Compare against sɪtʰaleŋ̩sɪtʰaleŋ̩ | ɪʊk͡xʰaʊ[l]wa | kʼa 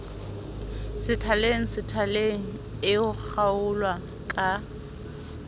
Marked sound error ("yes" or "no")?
no